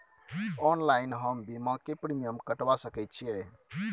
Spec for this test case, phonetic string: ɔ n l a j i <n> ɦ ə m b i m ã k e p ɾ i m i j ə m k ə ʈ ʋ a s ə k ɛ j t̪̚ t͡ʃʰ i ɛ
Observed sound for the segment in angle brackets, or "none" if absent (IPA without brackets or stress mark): n